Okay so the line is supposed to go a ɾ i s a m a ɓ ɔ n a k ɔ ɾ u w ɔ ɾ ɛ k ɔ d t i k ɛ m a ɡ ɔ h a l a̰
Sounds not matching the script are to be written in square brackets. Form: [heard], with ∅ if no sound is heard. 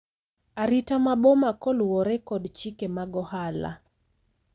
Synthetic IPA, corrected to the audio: a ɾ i [t] a m a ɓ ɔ [m] a k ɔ [l] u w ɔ ɾ ɛ k ɔ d [t͡ʃ] i k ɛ m a ɡ ɔ h a l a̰